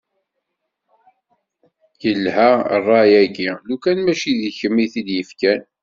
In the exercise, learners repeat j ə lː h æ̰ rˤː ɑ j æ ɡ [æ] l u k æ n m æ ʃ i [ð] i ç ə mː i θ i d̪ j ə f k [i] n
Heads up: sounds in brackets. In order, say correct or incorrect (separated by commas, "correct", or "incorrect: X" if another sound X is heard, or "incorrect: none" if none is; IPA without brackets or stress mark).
incorrect: i, correct, incorrect: æ